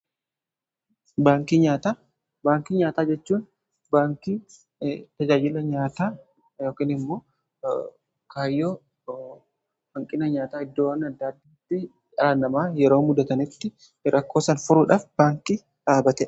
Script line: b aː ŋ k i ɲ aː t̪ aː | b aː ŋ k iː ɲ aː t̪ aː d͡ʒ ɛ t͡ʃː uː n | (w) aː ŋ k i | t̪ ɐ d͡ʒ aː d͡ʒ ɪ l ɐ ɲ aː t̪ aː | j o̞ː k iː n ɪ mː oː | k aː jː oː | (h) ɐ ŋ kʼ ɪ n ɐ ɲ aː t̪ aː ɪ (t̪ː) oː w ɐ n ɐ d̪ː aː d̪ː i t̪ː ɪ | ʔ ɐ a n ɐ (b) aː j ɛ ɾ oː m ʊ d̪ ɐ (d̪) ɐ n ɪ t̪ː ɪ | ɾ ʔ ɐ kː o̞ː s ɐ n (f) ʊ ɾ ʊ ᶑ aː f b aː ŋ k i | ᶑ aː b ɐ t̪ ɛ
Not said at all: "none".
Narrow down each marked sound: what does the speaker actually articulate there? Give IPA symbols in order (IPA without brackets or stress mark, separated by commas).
b, h, d̪ː, m, t̪, f